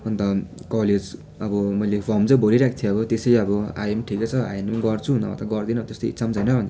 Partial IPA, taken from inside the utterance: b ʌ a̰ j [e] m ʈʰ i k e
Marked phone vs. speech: correct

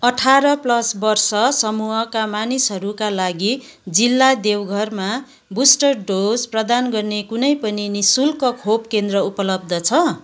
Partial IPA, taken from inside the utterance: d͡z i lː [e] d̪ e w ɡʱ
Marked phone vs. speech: incorrect: a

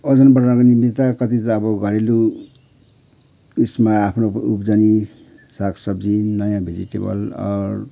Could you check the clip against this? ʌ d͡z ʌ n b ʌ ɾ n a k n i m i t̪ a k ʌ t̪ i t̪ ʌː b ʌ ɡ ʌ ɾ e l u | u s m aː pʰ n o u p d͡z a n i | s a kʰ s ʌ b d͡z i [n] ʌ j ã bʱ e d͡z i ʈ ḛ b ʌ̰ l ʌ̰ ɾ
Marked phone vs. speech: correct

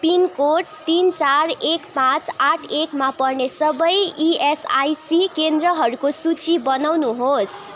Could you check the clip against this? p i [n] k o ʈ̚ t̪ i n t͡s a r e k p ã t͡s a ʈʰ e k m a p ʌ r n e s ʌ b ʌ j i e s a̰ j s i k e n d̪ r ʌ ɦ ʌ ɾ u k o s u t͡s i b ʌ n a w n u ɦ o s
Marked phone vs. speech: correct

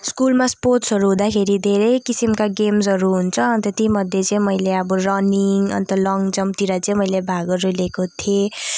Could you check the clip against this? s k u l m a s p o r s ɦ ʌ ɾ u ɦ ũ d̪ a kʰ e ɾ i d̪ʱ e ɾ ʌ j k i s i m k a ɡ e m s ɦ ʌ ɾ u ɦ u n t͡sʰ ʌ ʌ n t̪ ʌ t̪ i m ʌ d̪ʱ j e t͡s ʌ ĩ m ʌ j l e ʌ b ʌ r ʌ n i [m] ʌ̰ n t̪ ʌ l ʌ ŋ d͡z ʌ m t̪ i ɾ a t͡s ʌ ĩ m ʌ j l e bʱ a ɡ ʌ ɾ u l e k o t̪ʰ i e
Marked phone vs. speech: incorrect: ŋ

